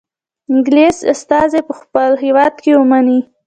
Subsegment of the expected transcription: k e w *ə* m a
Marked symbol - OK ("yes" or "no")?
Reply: yes